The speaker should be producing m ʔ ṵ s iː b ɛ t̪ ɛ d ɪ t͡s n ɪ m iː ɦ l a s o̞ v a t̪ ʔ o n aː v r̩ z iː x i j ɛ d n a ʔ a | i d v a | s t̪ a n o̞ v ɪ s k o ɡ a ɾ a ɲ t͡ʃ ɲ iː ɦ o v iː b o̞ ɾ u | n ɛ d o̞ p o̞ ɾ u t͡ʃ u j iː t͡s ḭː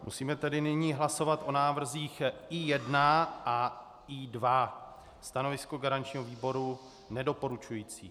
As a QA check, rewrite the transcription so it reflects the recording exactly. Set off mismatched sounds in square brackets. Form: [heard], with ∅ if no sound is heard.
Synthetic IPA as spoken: m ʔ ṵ s iː [m] ɛ t̪ ɛ d ɪ [∅] n ɪ [ɲ] iː ɦ l a s o̞ v a t̪ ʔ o n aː v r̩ z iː x i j ɛ d n a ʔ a | i d v a | s t̪ a n o̞ v ɪ s k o ɡ a ɾ a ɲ t͡ʃ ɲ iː ɦ o v iː b o̞ ɾ u | n ɛ d o̞ p o̞ ɾ u t͡ʃ u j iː t͡s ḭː